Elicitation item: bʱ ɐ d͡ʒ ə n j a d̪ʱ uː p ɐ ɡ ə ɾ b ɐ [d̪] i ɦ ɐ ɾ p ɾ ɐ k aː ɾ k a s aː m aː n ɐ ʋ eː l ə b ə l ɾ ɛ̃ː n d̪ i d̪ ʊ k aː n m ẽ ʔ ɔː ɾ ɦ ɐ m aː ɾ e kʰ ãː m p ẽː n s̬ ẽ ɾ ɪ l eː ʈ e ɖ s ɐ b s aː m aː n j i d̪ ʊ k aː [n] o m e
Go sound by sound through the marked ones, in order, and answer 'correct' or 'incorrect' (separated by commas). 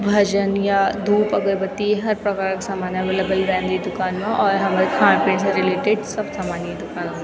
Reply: incorrect, correct